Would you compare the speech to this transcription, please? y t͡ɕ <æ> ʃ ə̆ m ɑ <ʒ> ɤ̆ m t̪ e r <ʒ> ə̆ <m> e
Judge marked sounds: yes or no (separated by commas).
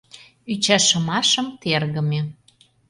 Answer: yes, no, no, yes